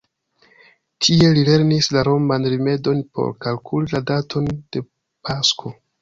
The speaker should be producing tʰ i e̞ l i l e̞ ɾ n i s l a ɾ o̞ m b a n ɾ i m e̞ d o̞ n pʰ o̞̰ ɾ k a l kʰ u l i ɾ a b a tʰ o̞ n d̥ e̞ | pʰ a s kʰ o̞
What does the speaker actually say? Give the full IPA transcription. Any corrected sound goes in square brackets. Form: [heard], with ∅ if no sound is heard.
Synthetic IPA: tʰ i e̞ l i l e̞ ɾ n i s l a ɾ o̞ m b a n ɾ i m e̞ d o̞ n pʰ o̞̰ ɾ k a l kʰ u l i [l] a [d] a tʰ o̞ n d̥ e̞ | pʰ a s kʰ o̞